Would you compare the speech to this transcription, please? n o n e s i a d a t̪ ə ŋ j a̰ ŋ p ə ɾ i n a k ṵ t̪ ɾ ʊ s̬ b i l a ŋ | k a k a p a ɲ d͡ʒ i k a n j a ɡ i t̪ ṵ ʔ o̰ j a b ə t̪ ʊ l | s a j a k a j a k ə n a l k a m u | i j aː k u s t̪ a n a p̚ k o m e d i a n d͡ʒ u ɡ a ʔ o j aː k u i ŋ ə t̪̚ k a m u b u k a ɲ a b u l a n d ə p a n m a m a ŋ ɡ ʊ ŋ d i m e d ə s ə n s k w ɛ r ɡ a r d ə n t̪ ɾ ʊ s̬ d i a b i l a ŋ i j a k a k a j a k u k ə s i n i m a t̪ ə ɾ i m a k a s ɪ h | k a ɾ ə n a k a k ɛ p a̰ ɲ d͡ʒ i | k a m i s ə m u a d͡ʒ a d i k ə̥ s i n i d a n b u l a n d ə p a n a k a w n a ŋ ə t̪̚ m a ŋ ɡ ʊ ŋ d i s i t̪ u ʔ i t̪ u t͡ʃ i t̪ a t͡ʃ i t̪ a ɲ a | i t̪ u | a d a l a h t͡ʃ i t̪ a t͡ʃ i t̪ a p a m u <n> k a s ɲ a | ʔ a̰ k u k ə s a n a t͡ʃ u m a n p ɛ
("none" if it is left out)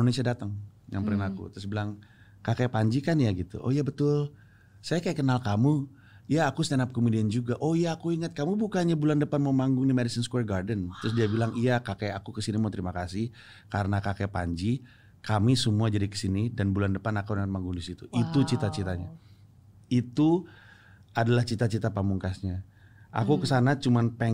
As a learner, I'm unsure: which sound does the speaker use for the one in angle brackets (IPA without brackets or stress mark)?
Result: ŋ